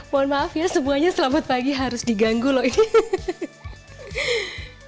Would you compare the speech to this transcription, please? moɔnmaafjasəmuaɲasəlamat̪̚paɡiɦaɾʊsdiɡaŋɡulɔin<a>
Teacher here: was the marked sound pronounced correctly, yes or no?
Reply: no